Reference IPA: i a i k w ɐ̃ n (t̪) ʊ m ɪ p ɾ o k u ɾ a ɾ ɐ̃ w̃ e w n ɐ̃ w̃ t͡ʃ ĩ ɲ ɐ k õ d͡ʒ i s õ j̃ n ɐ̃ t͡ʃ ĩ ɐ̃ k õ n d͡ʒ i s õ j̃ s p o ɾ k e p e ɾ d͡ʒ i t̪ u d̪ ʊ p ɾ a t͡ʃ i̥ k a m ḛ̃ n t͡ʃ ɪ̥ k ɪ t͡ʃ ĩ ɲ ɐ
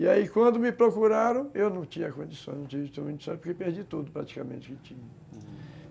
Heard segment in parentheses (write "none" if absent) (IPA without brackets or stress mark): d̪